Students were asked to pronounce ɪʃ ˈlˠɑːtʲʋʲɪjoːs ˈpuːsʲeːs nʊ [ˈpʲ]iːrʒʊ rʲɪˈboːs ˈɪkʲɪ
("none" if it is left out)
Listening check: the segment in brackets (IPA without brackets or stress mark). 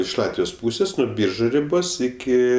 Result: bʲ